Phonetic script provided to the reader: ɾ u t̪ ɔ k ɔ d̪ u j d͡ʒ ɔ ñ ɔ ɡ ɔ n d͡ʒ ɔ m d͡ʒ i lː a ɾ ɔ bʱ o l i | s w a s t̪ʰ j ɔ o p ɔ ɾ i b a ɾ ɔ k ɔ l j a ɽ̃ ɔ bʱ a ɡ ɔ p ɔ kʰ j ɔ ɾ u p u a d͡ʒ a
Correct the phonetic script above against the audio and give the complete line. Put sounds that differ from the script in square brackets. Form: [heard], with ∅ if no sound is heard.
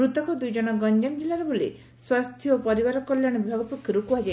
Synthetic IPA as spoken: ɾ u t̪ ɔ k ɔ d̪ u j d͡ʒ ɔ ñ ɔ ɡ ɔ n d͡ʒ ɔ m d͡ʒ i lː a ɾ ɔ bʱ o l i | s w a s t̪ʰ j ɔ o p ɔ ɾ i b a ɾ ɔ k ɔ l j a ɽ̃ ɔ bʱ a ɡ ɔ p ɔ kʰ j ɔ ɾ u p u a d͡ʒ a